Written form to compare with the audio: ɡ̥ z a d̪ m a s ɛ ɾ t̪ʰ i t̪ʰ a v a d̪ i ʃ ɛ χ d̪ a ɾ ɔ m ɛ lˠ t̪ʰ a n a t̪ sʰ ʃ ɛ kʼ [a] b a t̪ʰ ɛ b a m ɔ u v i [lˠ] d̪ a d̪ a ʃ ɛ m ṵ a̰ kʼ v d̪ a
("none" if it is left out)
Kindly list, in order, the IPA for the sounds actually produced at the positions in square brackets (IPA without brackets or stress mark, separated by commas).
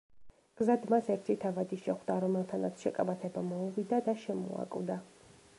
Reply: a, none